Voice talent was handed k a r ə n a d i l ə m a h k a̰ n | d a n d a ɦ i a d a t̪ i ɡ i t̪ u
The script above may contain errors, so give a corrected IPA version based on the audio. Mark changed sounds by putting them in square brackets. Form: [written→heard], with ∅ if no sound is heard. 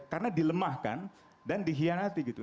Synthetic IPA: k a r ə n a d i l ə m a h k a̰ n | d a n d [a→i] ɦ i a [d→n] a t̪ i ɡ i t̪ u